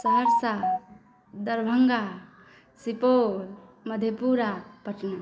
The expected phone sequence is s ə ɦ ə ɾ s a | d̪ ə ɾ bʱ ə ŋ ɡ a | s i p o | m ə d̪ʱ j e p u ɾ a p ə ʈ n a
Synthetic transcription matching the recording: s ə ɦ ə ɾ s a | d̪ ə ɾ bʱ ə ŋ ɡ a | s i p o | m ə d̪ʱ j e p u ɾ a p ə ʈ n a